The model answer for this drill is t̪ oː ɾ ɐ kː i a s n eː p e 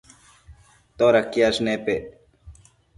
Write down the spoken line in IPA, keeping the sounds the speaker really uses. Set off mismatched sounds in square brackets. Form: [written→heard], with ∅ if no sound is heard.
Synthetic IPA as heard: t̪ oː ɾ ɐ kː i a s n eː p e